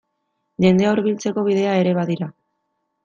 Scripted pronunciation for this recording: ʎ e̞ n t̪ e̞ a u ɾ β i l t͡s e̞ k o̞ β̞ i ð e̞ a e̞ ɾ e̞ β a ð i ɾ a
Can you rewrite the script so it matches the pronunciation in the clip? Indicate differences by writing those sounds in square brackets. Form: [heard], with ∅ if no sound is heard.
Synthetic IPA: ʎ e̞ n [d̪] e̞ a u ɾ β i l t͡s e̞ k o̞ β̞ i ð e̞ a e̞ ɾ e̞ β a ð i ɾ a